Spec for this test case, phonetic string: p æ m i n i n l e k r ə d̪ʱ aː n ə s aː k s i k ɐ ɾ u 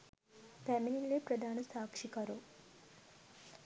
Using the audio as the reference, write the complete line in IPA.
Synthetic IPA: p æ m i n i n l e p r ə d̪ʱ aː n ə s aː k ʂ i k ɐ ɾ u